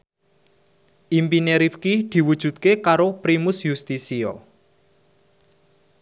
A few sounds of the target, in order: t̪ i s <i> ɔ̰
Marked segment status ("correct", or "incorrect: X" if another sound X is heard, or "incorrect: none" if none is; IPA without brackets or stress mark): correct